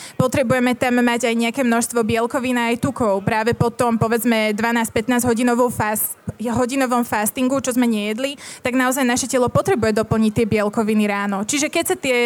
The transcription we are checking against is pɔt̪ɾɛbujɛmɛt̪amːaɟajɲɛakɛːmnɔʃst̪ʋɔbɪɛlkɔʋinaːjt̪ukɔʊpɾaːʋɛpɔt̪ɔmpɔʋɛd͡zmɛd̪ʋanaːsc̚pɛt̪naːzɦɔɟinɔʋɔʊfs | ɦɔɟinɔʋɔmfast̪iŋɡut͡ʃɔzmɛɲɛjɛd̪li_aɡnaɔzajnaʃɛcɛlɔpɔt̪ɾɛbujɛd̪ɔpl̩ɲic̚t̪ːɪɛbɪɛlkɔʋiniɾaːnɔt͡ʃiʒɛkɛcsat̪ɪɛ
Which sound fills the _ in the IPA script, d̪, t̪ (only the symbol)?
t̪